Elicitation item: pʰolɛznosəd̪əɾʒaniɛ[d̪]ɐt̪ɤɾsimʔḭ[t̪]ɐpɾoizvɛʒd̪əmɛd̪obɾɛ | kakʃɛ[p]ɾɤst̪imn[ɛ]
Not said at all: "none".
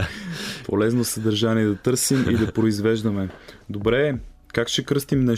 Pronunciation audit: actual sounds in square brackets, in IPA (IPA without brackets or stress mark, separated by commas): d̪, d̪, k, ɛ